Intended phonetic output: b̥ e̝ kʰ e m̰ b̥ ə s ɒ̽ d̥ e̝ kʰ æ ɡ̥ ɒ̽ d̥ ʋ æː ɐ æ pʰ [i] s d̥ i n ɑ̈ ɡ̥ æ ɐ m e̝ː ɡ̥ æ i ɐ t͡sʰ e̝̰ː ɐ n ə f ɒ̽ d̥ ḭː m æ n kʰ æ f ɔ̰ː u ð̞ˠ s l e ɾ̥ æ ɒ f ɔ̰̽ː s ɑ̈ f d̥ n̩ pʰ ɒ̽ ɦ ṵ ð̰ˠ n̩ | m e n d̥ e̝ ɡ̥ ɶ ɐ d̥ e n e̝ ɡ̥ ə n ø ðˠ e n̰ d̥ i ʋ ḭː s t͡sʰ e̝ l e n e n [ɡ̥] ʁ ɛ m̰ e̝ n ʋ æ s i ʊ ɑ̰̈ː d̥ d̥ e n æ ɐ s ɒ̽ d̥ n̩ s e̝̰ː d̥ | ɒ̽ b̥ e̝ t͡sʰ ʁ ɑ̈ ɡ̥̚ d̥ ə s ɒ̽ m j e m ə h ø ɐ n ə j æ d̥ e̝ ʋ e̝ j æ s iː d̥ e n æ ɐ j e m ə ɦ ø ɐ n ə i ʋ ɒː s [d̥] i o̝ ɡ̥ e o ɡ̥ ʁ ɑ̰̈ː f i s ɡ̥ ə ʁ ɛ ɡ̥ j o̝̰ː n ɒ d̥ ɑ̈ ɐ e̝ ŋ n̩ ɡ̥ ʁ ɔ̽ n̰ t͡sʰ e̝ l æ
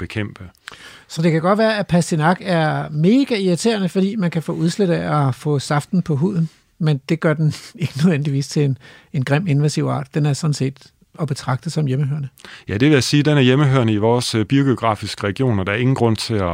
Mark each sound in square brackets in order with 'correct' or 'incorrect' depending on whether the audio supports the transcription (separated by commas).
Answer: incorrect, correct, incorrect